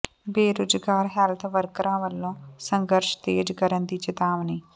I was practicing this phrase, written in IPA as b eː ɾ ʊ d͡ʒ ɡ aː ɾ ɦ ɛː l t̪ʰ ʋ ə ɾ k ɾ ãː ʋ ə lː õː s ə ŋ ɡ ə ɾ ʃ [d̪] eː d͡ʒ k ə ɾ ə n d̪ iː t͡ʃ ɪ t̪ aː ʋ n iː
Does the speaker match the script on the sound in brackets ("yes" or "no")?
no